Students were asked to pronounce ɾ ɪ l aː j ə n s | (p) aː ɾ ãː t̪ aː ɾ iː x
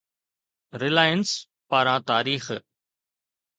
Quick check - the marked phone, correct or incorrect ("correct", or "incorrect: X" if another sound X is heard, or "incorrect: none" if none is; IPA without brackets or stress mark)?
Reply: correct